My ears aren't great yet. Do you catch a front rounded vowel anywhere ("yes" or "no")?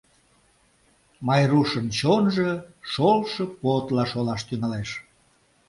yes